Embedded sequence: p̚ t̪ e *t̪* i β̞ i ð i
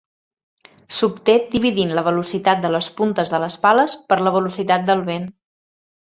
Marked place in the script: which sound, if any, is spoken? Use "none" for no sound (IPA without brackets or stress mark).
d̪